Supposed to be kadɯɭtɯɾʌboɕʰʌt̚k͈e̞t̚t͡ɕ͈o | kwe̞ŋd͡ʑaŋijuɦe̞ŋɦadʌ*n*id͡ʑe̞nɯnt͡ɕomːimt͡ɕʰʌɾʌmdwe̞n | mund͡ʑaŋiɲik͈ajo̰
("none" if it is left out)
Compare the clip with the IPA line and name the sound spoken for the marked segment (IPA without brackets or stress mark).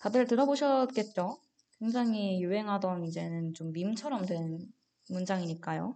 n